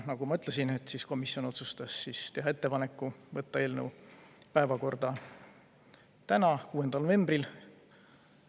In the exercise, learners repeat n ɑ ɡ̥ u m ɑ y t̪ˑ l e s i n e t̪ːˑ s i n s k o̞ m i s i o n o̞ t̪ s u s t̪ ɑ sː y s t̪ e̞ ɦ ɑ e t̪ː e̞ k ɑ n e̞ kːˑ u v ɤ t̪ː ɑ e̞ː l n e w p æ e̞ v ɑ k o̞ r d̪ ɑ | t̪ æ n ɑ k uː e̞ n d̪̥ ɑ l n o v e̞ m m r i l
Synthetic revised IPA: n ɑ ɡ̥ u m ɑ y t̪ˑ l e s i n e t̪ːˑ s i s k o̞ m i s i o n o̞ t̪ s u s t̪ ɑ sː i s t̪ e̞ ɦ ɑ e t̪ː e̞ p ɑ n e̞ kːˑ u v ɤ t̪ː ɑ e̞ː l n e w p æ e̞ v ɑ k o̞ r d̪ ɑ | t̪ æ n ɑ k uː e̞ n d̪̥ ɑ l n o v e̞ m b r i l